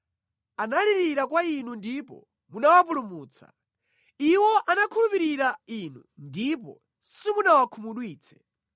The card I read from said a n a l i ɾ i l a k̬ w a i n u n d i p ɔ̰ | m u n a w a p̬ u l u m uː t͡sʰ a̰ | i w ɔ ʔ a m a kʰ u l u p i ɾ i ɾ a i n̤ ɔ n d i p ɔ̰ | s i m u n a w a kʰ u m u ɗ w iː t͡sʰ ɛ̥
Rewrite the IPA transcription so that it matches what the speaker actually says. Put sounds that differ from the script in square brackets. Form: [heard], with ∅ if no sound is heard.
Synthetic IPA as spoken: a n a l i ɾ i [ɾ] a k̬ w a i n u n d i p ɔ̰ | m u n a w a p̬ u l u m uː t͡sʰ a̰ | i w ɔ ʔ a [n] a kʰ u l u p i ɾ i ɾ a i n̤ [u] n d i p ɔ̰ | s i m u n a w a kʰ u m u ɗ w iː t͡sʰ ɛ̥